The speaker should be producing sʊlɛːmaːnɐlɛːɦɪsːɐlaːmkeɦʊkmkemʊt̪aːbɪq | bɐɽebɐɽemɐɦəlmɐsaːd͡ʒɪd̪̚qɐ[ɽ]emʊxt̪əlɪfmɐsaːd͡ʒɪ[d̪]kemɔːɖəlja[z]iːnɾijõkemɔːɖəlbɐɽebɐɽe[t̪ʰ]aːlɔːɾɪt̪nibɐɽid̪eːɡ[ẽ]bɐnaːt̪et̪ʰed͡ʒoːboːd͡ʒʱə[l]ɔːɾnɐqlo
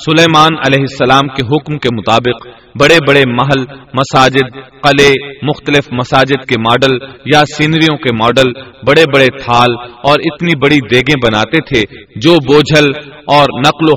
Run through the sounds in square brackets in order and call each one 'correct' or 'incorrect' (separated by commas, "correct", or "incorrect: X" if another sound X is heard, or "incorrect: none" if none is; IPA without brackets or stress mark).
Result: incorrect: l, correct, incorrect: s, correct, correct, correct